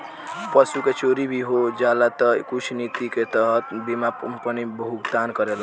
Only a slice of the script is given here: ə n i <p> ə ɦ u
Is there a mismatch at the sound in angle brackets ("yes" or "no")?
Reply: yes